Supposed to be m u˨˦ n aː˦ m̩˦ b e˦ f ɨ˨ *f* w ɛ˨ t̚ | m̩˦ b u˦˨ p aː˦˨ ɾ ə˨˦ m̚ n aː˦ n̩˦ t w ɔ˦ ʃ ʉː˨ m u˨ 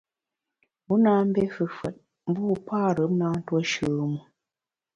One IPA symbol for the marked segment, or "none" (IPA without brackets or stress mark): f